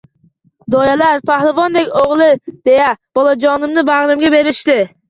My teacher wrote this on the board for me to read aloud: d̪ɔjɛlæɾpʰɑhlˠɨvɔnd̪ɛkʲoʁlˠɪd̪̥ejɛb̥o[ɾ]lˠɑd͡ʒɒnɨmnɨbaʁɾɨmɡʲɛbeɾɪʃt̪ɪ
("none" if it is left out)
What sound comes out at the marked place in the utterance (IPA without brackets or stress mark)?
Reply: none